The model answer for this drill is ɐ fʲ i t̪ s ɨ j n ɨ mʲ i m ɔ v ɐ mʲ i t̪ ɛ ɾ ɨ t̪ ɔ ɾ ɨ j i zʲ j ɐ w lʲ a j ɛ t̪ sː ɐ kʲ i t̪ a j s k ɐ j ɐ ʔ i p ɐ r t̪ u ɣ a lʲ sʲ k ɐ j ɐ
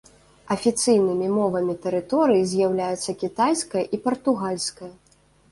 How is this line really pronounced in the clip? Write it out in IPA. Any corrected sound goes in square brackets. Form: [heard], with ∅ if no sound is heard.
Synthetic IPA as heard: ɐ fʲ i t̪ s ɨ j n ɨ mʲ i m ɔ v ɐ mʲ i t̪ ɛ ɾ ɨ t̪ ɔ ɾ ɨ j i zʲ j [a] w lʲ a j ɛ t̪ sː ɐ kʲ i t̪ a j s k ɐ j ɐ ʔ i p ɐ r t̪ u ɣ a lʲ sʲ k ɐ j ɐ